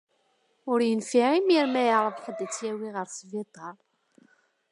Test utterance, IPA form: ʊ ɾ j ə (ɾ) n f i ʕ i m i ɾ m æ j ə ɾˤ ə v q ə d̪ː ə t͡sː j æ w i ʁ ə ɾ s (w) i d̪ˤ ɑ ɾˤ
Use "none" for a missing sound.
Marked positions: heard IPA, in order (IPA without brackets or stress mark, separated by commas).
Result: none, v